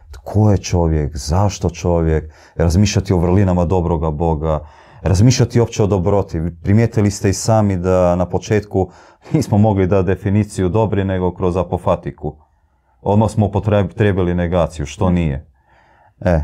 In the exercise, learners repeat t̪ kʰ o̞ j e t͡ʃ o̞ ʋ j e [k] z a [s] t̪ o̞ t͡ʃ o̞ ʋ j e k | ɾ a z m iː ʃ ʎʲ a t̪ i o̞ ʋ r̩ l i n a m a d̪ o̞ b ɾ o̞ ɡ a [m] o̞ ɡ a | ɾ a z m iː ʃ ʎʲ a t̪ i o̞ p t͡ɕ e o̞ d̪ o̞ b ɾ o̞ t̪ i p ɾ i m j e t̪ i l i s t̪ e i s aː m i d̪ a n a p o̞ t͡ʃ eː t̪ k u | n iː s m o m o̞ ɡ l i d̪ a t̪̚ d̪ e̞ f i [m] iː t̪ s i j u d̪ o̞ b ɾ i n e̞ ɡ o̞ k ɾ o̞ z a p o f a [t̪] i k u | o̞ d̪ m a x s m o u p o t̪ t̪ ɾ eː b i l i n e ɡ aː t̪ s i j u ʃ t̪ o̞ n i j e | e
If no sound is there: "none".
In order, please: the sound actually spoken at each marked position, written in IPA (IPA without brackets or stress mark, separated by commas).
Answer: k, ʃ, b, n, t̪